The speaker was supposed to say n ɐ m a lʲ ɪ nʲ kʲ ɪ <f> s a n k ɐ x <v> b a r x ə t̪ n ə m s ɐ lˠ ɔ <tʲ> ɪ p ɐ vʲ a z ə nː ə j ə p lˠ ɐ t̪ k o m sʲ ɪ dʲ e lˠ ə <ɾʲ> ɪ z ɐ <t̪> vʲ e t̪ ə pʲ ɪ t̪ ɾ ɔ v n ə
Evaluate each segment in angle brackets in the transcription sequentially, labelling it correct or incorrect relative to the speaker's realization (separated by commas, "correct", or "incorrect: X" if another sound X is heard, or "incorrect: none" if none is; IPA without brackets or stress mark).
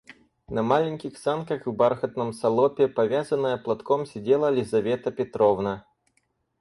incorrect: x, correct, incorrect: pʲ, incorrect: lʲ, incorrect: none